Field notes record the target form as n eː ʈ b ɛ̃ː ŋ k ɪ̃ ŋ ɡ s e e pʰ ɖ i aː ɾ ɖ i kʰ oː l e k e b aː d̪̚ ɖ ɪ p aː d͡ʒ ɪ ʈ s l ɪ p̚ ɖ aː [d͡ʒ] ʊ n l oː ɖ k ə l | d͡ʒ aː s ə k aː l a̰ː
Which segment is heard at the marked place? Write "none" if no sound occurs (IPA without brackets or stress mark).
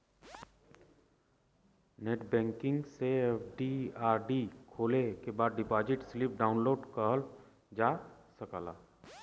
none